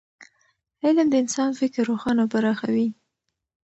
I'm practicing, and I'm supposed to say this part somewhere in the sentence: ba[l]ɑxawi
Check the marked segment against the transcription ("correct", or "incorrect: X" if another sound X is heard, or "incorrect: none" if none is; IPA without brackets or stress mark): incorrect: ɾ